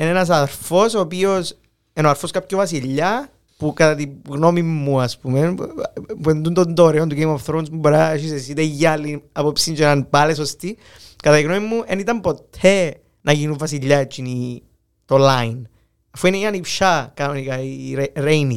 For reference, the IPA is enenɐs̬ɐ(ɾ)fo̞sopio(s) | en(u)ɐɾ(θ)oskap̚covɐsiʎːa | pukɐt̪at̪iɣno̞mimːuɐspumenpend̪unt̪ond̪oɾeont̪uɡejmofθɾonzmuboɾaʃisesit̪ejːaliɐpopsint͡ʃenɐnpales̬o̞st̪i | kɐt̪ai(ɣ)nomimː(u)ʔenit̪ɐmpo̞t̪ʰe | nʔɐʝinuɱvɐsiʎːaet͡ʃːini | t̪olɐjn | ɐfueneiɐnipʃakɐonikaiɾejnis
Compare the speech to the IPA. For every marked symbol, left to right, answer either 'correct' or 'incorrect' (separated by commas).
correct, correct, incorrect, incorrect, correct, correct